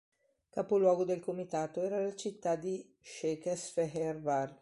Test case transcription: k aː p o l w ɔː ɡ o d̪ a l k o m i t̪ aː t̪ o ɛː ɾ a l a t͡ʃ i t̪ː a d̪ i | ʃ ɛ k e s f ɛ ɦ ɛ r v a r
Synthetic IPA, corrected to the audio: k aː p o l w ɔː ɡ o d̪ e l k o m i t̪ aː t̪ o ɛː ɾ a l a t͡ʃ i t̪ː a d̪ i | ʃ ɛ k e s f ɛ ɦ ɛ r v a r